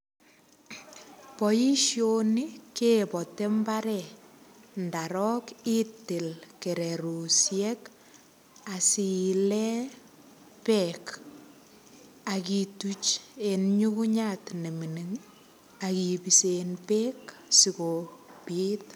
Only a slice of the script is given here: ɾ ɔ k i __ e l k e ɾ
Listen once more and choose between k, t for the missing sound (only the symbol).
t